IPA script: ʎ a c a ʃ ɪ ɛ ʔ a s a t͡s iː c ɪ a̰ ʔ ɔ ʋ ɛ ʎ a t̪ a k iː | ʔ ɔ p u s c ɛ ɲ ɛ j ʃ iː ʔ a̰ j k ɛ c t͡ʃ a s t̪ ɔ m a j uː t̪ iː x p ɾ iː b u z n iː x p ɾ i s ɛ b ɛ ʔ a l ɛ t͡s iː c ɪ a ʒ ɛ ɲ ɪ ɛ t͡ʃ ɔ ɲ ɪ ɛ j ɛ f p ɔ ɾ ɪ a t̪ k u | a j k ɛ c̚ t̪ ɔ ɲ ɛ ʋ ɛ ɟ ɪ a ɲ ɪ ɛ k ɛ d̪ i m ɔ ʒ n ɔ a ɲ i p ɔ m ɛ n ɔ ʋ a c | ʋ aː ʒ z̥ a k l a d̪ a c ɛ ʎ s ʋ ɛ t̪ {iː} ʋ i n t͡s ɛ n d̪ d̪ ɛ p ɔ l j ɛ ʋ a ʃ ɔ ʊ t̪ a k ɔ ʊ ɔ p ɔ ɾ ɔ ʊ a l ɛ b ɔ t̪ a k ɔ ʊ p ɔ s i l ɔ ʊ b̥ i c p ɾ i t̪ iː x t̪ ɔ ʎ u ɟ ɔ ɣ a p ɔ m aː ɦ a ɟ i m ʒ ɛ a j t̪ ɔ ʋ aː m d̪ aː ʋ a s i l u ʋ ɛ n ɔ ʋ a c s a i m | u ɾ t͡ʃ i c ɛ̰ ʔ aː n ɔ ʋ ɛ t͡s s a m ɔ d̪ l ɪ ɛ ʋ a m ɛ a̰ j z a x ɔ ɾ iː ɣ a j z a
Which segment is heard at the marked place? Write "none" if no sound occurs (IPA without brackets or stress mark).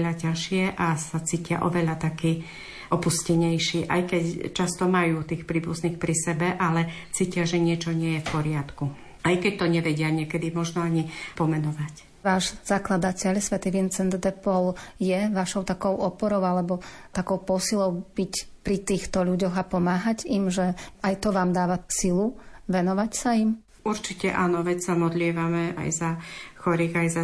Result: i